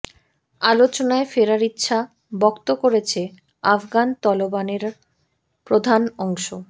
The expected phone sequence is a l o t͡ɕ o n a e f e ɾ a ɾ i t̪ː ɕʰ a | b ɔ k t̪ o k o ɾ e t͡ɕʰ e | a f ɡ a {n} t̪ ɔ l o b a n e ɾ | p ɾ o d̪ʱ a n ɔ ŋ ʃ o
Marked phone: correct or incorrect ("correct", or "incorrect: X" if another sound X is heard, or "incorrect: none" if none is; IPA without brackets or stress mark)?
correct